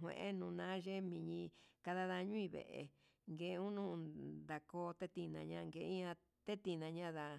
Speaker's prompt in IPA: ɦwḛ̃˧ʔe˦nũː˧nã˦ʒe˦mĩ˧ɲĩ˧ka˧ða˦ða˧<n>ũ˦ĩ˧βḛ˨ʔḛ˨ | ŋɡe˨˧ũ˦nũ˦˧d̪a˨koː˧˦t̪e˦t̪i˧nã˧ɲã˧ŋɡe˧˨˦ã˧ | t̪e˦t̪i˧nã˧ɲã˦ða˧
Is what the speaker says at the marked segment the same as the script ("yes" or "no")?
no